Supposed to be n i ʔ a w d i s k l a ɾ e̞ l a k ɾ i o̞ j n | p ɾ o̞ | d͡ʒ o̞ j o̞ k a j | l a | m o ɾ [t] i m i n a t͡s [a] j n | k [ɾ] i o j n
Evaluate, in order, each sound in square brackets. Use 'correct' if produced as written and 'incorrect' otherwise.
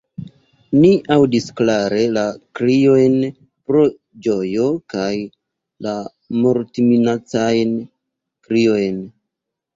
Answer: correct, correct, correct

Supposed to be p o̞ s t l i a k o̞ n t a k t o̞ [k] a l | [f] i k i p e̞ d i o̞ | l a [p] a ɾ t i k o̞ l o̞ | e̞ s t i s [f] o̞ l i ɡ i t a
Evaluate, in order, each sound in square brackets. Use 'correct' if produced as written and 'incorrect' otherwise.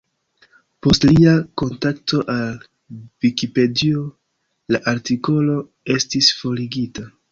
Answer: incorrect: ʔ, incorrect: v, incorrect: ʔ, correct

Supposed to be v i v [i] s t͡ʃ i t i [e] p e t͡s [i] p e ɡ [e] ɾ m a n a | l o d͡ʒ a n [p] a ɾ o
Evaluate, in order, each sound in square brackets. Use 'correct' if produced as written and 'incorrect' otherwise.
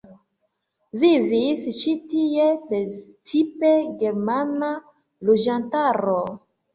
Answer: correct, correct, correct, correct, incorrect: t

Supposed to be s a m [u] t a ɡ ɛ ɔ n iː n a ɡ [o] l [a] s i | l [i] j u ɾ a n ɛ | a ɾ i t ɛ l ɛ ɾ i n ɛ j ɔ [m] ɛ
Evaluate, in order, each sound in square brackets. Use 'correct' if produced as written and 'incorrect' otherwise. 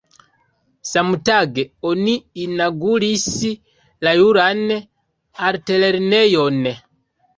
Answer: correct, incorrect: u, incorrect: i, incorrect: a, incorrect: n

